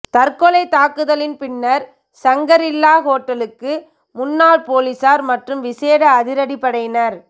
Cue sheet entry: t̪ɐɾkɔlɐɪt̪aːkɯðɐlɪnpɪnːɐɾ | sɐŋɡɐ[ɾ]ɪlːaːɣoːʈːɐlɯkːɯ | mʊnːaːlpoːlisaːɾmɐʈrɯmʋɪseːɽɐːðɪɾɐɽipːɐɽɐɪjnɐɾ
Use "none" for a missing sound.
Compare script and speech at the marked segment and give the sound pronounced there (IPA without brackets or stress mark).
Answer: ɾ